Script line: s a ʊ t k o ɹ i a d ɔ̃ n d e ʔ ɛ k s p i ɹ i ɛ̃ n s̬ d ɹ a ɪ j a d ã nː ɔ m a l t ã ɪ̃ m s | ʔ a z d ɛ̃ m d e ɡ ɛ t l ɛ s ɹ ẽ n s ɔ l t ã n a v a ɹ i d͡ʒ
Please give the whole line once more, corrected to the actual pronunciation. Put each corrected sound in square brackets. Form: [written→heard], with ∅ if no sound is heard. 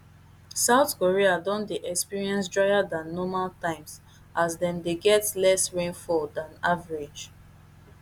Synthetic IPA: s a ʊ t k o ɹ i a d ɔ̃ n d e ʔ ɛ k s p i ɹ i ɛ̃ n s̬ d ɹ a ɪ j a d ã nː ɔ m a l t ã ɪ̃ m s | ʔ a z d ɛ̃ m d e ɡ ɛ t l ɛ s ɹ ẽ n [s→f] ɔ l [t→d] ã n a v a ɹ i d͡ʒ

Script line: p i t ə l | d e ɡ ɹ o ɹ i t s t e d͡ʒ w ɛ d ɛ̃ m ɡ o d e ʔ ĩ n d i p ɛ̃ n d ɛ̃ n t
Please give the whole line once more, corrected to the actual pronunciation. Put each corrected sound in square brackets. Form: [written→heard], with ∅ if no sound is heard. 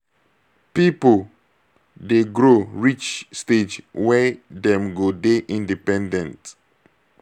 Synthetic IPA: p i [t→p] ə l | d e ɡ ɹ o ɹ i [t→t͡ʃ] s t e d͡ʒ w ɛ d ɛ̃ m ɡ o d e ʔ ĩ n d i p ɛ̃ n d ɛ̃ n t

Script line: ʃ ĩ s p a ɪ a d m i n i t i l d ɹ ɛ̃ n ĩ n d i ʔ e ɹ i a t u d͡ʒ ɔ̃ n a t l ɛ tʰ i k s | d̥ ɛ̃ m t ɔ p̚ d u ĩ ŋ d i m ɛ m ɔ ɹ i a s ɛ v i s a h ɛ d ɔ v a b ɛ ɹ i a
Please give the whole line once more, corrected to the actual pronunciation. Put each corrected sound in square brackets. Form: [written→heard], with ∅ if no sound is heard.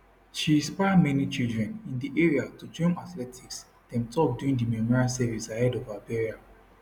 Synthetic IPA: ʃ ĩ s p a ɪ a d m [i→ɛ] n i [t→t͡ʃ] i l d ɹ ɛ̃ n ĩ n d i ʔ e ɹ i a t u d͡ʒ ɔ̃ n a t l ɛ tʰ i k s | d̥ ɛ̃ m t ɔ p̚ d u ĩ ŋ d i m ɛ m ɔ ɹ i a s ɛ v i s a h ɛ d ɔ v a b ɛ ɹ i a

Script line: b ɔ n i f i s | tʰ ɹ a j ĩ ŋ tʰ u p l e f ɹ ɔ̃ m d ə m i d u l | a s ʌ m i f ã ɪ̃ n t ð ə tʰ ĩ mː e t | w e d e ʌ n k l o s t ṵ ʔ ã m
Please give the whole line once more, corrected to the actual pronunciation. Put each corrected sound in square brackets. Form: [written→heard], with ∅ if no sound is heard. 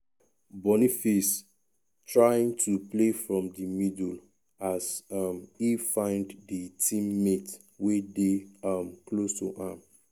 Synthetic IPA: b ɔ n i f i s | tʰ ɹ a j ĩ ŋ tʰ u p l e f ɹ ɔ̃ m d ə m i d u l | a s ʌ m i f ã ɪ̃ n [t→d] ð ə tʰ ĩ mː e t | w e d e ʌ [n→m] k l o s t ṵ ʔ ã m

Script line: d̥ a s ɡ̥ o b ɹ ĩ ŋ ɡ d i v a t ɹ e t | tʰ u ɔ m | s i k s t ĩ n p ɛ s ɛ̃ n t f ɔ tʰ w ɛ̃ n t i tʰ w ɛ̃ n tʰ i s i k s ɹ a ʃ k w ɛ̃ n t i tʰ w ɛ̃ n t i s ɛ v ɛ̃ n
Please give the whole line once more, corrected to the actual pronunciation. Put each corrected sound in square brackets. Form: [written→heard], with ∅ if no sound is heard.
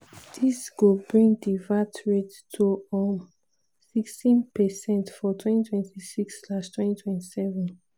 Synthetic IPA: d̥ [a→i] s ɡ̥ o b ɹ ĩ ŋ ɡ d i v a t ɹ e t | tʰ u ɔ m | s i k s t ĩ n p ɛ s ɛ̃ n t f ɔ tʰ w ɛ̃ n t i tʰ w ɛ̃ n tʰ i s i k s [ɹ→l] a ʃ [k→t] w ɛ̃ n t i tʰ w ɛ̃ n t i s ɛ v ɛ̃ n

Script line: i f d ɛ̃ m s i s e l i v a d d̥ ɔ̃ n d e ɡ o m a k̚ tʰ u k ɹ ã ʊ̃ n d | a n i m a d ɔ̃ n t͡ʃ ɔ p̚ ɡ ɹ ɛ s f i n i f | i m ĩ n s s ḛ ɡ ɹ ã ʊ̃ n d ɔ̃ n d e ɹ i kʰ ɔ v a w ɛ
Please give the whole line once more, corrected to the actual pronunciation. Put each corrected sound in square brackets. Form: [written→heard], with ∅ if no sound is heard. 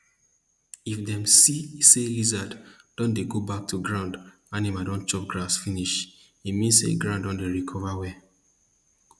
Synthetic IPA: i f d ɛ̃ m s i s e l i [v→z] a d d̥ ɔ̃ n d e ɡ o [m→b] a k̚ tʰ u [k→ɡ] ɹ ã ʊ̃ n d | a n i m a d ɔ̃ n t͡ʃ ɔ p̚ ɡ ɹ [ɛ→a] s f i n i [f→ʃ] | i m ĩ n s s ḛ ɡ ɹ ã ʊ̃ n d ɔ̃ n d e ɹ i kʰ ɔ v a w ɛ

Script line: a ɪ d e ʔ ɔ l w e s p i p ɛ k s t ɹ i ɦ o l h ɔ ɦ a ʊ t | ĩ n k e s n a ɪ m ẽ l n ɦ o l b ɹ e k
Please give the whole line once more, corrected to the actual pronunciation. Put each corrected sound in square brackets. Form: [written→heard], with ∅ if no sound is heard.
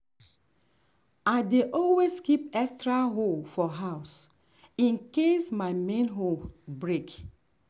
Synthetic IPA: a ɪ d e ʔ ɔ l w e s [p→k] i p ɛ k s t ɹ [i→a] ɦ o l [h→f] ɔ ɦ a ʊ [t→s] | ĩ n k e s [n→m] a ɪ m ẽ [l→∅] n ɦ o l b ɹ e k

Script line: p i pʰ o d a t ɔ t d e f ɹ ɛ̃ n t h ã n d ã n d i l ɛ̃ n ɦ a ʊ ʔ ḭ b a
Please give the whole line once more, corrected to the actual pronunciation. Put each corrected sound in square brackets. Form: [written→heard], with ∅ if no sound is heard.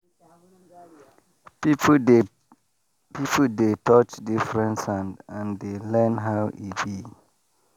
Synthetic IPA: p i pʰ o d [a→e] t ɔ [t→t͡ʃ] d [e→i] f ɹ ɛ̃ n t [h→s] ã n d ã n d [i→e] l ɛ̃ n ɦ a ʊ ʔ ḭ b [a→i]

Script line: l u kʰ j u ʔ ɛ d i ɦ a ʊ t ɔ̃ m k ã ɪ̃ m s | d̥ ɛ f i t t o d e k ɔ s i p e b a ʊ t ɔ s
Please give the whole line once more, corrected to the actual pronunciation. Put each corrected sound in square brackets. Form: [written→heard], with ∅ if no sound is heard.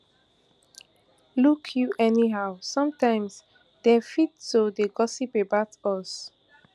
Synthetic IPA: l u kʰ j u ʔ ɛ [d→n] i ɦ a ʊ [t→s] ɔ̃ m [k→t] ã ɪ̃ m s | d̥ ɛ f i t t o d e [k→ɡ] ɔ s i p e b a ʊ t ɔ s

